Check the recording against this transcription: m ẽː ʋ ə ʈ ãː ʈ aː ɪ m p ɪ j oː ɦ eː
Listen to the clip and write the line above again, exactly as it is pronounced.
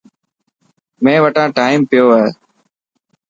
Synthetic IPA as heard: m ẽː ʋ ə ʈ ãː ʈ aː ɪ m p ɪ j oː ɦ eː